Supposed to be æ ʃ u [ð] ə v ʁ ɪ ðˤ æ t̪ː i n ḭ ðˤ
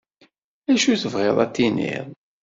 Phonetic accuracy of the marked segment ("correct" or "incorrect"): incorrect